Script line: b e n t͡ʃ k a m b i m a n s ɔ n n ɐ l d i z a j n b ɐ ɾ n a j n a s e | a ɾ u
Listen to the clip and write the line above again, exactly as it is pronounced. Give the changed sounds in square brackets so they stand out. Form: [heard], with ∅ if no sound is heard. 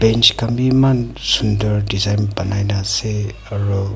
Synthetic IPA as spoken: b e n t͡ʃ k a m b i m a n s [u] n [d] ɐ [ɾ] d i z a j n b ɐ [∅] n a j n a s e | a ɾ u